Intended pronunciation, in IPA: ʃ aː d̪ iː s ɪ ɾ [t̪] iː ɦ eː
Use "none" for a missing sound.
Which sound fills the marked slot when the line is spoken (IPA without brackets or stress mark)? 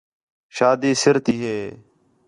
t̪